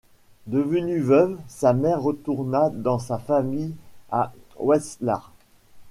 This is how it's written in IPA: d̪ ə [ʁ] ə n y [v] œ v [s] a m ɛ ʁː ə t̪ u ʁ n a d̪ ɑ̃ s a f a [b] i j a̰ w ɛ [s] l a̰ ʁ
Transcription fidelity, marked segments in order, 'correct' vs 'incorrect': incorrect: v, correct, correct, incorrect: m, correct

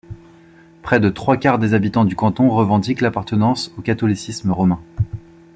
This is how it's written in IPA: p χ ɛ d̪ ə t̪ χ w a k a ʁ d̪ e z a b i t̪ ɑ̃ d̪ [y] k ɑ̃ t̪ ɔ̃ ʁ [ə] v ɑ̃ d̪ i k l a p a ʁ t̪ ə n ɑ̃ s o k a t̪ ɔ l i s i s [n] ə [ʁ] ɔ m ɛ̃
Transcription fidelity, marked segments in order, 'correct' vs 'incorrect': correct, correct, incorrect: m, correct

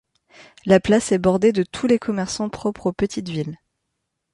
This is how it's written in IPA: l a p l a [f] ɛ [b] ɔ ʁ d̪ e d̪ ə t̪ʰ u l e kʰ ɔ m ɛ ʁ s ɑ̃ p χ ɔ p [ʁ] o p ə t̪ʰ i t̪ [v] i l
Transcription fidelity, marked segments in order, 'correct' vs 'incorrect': incorrect: s, correct, incorrect: χ, correct

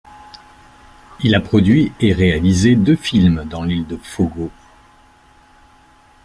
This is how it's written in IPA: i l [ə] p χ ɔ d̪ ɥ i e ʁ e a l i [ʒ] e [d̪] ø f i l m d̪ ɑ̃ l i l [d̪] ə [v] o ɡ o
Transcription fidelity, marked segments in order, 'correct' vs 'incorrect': incorrect: a, incorrect: z, correct, correct, incorrect: f

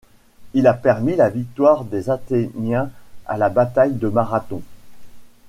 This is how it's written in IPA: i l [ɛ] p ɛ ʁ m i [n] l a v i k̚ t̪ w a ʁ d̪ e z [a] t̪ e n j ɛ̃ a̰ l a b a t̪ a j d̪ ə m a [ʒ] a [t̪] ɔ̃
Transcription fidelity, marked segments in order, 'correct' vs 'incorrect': incorrect: a, incorrect: none, correct, incorrect: ʁ, correct

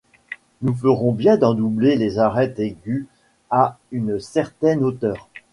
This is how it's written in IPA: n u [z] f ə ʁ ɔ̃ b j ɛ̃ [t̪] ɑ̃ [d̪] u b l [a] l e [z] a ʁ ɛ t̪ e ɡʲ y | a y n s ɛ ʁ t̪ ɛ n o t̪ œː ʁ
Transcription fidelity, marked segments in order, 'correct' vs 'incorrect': incorrect: none, incorrect: d̪, correct, incorrect: e, correct

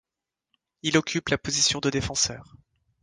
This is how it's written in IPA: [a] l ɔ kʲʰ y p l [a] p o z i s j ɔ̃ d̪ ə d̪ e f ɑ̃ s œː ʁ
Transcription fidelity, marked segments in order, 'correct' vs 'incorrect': incorrect: i, correct

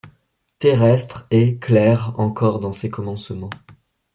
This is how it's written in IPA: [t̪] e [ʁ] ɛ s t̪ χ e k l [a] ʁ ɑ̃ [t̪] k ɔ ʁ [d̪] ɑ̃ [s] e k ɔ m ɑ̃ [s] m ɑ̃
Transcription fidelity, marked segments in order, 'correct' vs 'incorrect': correct, correct, incorrect: ɛ, incorrect: none, correct, correct, correct

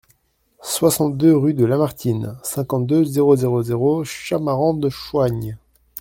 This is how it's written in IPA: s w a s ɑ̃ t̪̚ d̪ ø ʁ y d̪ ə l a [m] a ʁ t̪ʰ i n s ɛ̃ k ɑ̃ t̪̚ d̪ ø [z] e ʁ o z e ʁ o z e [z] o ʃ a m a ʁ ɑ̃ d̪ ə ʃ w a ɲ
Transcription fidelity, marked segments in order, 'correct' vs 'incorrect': correct, correct, incorrect: ʁ

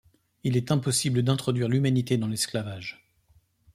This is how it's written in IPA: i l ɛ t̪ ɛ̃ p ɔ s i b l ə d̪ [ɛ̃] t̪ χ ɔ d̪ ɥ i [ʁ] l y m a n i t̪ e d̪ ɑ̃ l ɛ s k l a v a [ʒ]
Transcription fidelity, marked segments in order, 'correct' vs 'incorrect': correct, correct, correct

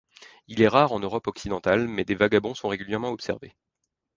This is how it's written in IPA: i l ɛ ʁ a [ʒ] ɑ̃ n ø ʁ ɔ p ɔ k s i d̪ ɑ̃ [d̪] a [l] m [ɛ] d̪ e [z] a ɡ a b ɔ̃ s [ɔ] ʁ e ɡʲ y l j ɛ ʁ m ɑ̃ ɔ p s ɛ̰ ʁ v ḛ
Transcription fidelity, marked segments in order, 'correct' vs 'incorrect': incorrect: ʁ, incorrect: t̪, correct, correct, incorrect: v, incorrect: ɔ̃

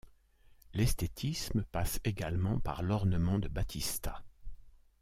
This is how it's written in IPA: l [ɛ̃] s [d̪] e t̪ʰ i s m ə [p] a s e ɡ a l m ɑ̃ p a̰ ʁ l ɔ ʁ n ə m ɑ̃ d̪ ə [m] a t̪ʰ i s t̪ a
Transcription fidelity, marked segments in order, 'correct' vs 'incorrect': incorrect: ɛ, incorrect: t̪, correct, incorrect: b

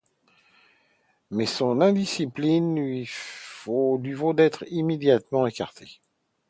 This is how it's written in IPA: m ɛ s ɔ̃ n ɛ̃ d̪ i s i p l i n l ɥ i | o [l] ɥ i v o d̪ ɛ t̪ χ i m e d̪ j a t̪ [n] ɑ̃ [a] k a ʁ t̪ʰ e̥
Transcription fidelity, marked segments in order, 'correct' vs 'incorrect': correct, incorrect: m, incorrect: e

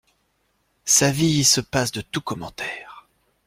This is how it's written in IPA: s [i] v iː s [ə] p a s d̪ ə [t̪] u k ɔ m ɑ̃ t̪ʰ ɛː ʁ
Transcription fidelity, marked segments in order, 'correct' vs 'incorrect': incorrect: a, correct, correct

